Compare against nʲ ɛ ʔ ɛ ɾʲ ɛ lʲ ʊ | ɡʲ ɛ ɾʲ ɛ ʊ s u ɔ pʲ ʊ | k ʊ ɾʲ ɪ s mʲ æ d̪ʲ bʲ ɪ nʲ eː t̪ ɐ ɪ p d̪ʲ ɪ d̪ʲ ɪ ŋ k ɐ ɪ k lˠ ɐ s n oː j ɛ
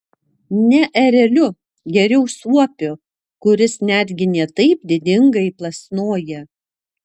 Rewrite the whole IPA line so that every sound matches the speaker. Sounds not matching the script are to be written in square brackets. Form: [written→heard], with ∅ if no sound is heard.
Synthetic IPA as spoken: nʲ ɛ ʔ ɛ ɾʲ ɛ lʲ ʊ | ɡʲ ɛ ɾʲ ɛ ʊ s u ɔ pʲ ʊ | k ʊ ɾʲ ɪ s [mʲ→nʲ] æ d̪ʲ [bʲ→ɡʲ] ɪ nʲ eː t̪ ɐ ɪ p d̪ʲ ɪ d̪ʲ ɪ ŋ [k→ɡ] ɐ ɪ [k→p] lˠ ɐ s n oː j ɛ